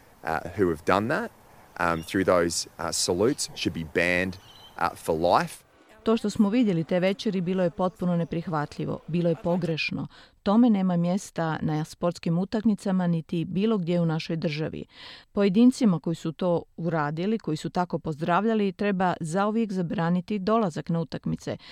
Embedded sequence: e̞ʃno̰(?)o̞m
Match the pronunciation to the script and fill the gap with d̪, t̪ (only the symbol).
t̪